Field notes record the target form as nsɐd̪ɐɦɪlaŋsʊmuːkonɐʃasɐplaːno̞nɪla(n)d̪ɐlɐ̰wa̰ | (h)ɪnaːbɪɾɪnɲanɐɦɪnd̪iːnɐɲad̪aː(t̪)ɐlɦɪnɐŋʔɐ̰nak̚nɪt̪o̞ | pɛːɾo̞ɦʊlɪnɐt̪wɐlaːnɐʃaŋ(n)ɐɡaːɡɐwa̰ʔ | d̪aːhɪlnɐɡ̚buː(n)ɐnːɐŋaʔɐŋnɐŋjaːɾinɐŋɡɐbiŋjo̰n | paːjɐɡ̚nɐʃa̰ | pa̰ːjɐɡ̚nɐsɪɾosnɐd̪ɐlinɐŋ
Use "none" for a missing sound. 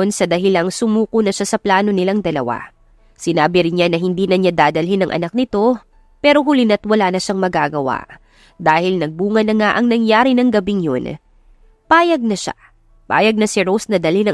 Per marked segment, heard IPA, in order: ŋ, s, d̪, m, ŋ

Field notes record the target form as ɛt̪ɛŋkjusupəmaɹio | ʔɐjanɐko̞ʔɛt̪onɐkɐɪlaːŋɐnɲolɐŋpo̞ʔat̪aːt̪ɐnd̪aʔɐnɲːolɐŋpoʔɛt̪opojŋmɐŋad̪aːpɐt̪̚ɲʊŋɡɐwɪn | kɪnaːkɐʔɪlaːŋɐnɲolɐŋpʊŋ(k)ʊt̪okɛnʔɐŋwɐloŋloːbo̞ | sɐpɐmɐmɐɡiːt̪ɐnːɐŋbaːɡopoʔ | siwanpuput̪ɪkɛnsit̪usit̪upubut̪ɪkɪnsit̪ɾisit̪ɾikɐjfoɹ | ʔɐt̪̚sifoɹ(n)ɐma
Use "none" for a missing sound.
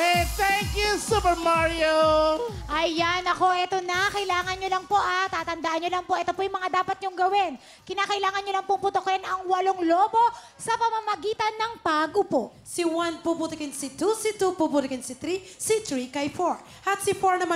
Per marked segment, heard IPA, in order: p, n

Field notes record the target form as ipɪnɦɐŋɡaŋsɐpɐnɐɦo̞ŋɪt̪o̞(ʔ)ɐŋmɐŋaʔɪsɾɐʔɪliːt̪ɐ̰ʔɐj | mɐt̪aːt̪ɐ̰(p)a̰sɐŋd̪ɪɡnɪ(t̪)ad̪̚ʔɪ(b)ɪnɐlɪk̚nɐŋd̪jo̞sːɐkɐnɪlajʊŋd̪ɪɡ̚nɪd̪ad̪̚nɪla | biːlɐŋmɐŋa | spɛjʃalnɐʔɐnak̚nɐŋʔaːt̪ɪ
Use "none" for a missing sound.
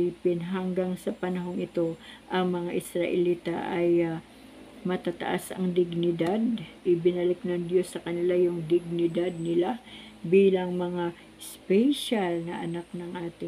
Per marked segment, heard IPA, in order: ʔ, ʔ, d̪, b

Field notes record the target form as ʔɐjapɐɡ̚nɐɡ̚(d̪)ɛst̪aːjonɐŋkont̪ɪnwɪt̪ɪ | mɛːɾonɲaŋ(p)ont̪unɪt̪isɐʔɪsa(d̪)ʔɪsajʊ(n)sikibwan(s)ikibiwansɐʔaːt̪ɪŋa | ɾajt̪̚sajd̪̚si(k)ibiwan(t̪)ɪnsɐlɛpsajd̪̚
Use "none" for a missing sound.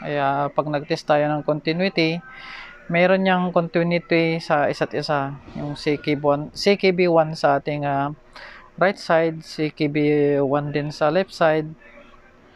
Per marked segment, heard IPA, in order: t̪, k, t̪, ŋ, s, k, d̪

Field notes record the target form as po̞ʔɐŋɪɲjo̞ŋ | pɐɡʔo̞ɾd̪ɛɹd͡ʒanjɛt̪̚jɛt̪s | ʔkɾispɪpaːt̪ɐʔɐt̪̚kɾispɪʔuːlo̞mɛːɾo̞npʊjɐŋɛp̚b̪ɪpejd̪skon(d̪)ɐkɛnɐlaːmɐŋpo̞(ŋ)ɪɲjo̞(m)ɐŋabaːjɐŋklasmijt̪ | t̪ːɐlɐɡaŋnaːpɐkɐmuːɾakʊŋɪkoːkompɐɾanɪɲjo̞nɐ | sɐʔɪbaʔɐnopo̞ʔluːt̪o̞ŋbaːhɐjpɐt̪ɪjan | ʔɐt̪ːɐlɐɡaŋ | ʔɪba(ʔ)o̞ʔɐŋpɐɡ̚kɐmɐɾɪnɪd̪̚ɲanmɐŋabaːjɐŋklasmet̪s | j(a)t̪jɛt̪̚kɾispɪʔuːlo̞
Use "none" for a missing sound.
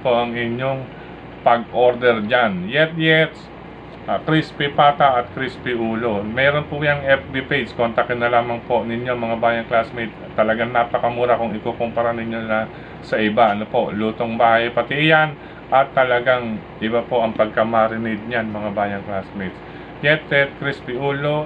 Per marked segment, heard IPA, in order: t̪, n, m, p, ɛ

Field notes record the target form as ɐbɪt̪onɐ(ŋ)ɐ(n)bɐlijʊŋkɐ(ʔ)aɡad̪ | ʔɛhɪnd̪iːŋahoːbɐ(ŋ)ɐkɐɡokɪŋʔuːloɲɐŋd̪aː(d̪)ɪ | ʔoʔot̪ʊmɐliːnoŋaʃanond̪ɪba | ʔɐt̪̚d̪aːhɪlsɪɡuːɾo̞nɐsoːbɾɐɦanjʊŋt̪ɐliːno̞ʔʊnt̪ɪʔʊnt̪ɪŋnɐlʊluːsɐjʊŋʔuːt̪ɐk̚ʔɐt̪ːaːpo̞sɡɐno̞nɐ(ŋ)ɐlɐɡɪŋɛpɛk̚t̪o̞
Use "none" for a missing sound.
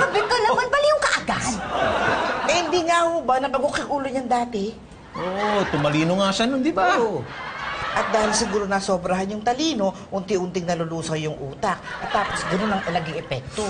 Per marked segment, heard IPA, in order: m, n, ʔ, n, t̪, ŋ

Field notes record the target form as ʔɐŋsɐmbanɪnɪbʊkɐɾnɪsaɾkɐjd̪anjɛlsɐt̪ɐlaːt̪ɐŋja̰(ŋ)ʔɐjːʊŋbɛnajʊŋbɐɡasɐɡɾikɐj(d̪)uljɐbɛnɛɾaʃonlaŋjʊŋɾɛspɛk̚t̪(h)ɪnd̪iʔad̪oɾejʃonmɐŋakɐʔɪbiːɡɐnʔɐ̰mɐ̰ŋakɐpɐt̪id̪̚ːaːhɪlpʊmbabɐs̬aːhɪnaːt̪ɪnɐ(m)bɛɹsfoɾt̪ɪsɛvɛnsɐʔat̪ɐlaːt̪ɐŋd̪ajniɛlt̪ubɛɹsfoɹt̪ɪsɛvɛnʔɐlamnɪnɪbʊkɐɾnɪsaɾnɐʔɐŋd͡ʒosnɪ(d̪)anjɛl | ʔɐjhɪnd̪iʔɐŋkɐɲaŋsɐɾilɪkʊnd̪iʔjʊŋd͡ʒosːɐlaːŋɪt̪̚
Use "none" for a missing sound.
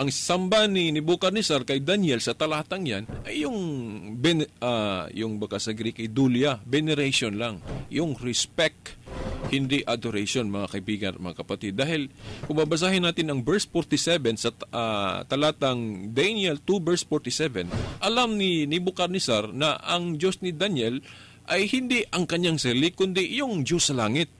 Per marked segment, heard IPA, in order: n, d̪, h, ŋ, d̪

